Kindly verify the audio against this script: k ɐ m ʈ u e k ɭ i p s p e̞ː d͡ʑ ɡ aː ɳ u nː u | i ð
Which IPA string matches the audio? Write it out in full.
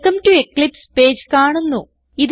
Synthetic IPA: k ɐ m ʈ u e k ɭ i p s p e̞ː d͡ʑ k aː ɳ u nː u | i ð